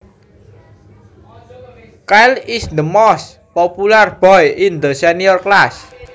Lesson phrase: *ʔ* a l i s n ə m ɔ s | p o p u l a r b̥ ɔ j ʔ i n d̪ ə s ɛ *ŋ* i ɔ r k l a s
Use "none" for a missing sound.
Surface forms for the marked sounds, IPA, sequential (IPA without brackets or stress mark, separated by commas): k, n